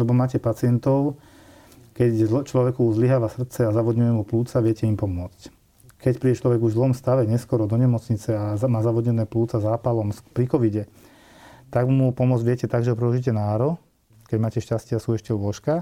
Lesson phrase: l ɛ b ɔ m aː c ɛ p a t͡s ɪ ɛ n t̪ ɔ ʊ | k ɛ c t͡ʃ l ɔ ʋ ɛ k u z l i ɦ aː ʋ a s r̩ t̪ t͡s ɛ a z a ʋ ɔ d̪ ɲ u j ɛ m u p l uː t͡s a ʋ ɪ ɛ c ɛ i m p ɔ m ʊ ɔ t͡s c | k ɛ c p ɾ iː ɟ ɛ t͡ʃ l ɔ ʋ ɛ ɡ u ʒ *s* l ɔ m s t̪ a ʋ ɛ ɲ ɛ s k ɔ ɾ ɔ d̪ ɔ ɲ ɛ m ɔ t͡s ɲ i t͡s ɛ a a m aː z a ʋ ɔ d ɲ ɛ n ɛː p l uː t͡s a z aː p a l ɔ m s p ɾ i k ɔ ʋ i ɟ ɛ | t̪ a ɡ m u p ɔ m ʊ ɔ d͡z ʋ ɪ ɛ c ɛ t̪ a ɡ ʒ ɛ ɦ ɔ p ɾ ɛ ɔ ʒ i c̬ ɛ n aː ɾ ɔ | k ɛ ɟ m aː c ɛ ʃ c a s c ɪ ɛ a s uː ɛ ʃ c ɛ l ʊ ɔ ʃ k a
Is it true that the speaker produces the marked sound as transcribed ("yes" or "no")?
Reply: no